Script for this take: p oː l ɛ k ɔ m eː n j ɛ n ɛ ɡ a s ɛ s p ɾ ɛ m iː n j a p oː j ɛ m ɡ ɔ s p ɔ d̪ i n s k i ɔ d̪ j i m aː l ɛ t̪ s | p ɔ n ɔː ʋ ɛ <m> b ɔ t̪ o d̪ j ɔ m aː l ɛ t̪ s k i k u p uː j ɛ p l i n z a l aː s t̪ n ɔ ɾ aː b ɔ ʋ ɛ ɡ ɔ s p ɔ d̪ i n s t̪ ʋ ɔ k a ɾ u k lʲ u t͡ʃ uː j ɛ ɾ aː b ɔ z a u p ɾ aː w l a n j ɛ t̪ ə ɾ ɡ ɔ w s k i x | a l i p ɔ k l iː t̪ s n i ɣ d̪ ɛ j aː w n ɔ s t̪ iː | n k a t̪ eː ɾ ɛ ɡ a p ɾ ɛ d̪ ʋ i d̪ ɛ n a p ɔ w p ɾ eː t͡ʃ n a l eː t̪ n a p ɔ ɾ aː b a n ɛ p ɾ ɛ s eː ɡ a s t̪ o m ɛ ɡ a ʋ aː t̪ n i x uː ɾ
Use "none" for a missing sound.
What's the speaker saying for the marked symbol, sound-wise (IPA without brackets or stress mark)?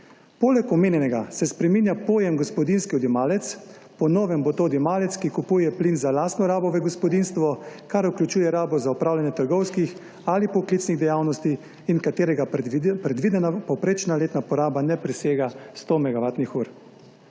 m